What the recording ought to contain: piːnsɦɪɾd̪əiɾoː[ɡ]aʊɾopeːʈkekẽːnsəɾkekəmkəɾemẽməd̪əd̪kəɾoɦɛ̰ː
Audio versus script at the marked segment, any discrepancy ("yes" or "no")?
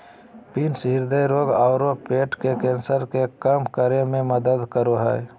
no